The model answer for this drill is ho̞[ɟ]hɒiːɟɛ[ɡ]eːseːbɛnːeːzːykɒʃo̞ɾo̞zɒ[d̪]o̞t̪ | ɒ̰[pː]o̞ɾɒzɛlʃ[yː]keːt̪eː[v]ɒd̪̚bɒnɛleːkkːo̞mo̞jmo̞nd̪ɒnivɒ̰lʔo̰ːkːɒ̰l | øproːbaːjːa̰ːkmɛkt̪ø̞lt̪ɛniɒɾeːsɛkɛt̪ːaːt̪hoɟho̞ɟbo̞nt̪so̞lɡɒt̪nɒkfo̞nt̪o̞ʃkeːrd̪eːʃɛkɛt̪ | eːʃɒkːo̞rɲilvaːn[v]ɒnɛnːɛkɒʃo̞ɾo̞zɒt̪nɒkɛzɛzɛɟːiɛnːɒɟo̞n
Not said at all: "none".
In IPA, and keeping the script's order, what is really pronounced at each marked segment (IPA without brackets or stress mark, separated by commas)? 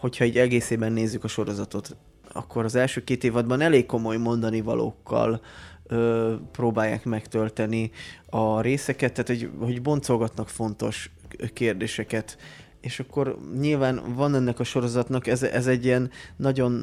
c, ɡ, t̪, kː, øː, v, v